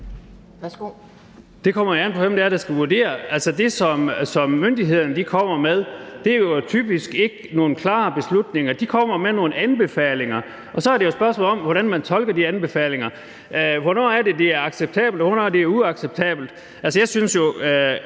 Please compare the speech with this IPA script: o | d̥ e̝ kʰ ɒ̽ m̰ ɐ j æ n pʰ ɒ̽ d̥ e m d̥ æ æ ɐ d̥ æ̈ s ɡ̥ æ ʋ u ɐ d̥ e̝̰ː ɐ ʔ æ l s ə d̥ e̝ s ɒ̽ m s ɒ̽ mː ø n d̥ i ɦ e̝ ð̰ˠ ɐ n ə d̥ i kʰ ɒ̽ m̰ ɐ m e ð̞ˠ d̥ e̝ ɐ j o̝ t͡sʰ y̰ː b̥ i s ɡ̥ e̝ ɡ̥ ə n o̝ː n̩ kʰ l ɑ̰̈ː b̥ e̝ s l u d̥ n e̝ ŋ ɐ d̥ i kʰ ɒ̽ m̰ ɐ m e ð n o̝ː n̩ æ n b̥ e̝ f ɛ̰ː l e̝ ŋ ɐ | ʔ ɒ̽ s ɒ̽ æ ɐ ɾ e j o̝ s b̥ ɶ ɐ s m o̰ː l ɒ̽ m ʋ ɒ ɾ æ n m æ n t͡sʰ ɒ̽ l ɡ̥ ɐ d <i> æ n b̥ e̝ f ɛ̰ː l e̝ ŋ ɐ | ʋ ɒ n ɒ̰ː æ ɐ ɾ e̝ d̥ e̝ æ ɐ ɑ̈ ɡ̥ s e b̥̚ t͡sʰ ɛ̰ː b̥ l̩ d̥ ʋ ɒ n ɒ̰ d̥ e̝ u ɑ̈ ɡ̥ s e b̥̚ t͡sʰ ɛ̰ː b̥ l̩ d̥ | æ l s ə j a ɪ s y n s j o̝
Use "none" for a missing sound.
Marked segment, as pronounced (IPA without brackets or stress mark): i